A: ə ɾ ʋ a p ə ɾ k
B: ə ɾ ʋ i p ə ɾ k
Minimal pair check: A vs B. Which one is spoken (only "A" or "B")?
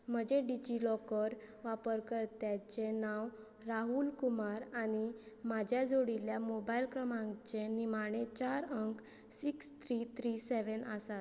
A